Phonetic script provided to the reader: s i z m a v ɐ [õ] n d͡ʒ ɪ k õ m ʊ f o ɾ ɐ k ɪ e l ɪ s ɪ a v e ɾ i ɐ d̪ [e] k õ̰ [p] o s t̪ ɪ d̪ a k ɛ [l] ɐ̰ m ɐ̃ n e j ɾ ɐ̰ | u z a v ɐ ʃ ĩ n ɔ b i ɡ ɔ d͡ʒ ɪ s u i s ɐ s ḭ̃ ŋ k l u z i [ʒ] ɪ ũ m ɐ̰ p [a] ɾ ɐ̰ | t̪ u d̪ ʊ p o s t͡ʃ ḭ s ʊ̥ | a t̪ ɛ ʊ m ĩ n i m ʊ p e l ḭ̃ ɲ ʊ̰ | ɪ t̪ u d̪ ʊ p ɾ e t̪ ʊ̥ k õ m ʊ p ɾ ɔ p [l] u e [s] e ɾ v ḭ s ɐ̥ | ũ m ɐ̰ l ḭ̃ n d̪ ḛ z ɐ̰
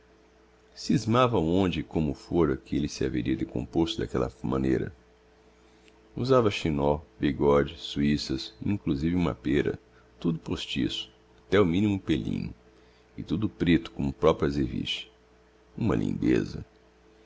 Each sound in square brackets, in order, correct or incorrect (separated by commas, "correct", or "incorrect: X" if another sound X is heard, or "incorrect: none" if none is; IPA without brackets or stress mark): correct, correct, correct, correct, incorrect: v, incorrect: e, incorrect: ɾ, incorrect: z